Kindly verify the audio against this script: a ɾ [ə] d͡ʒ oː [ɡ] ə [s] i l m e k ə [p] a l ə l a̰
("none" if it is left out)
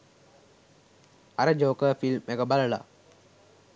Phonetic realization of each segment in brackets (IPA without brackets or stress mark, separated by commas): ə, k, f, b